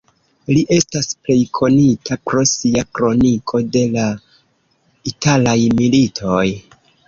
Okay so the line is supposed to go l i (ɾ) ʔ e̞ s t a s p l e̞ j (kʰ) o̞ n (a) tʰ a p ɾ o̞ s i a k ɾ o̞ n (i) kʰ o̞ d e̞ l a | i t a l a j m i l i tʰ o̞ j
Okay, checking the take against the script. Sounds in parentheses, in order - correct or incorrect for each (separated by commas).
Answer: incorrect, correct, incorrect, correct